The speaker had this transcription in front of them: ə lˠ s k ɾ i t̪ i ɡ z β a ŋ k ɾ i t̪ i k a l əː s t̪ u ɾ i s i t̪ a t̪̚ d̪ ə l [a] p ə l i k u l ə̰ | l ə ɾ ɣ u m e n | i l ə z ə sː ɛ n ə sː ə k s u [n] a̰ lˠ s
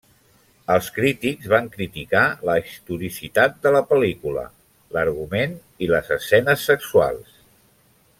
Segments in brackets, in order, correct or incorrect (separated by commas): incorrect, incorrect